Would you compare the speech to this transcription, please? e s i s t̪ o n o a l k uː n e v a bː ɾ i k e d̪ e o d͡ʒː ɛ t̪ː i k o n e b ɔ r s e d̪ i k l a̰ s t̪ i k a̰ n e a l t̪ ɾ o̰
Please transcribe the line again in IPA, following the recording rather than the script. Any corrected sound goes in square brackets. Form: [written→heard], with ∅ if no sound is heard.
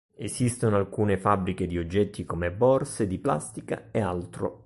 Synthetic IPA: e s i s t̪ o n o a l k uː n e [v→f] a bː ɾ i k e d̪ [e→i] o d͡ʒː ɛ t̪ː i k o [n→m] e b ɔ r s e d̪ i [k→p] l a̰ s t̪ i k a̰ [n→∅] e a l t̪ ɾ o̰